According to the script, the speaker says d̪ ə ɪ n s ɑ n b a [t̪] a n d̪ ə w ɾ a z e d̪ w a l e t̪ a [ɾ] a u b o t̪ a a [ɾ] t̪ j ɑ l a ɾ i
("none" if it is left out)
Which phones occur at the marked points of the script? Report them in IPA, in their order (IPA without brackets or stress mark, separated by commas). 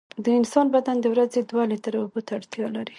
d̪, ɾ, ɽ